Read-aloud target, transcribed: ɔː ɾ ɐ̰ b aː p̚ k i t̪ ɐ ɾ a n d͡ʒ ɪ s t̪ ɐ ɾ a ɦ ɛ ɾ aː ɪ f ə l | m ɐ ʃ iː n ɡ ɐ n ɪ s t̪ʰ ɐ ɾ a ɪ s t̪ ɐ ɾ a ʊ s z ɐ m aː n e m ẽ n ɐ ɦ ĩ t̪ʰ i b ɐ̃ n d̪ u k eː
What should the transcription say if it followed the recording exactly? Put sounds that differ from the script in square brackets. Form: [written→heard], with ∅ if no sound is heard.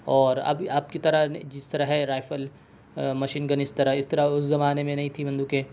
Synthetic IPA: ɔː ɾ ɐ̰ b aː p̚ k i t̪ ɐ ɾ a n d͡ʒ ɪ s t̪ ɐ ɾ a ɦ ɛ ɾ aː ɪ f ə l | m ɐ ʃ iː n ɡ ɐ n ɪ s [t̪ʰ→t̪] ɐ ɾ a ɪ s t̪ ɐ ɾ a ʊ s z ɐ m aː n e m ẽ n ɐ ɦ ĩ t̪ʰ i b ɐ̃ n d̪ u k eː